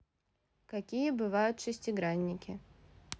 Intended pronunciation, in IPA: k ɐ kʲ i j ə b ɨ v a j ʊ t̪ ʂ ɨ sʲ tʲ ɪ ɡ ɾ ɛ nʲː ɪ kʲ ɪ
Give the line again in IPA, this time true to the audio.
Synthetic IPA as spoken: k ɐ kʲ i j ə b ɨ v a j ʊ t̪ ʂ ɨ sʲ tʲ ɪ ɡ ɾ a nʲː ɪ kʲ ɪ